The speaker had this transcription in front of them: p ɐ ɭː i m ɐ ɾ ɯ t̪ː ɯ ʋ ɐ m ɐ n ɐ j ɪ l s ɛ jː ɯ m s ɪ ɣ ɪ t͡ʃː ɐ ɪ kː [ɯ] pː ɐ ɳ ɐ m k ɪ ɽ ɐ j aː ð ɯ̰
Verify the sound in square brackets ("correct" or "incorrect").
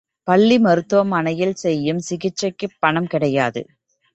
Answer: correct